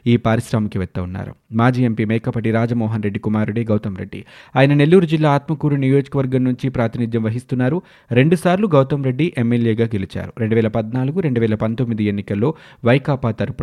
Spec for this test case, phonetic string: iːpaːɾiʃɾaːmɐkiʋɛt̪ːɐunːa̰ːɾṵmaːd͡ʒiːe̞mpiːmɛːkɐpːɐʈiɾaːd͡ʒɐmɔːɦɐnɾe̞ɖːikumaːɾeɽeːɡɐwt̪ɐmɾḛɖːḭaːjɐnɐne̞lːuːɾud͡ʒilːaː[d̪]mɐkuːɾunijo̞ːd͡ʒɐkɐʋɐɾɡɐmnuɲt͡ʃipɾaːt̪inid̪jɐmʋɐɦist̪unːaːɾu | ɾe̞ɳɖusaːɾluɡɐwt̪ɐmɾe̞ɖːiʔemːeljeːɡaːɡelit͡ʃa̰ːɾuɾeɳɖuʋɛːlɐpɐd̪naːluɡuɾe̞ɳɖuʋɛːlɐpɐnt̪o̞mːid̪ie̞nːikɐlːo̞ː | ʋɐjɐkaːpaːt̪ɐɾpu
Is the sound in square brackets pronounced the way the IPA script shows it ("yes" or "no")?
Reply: no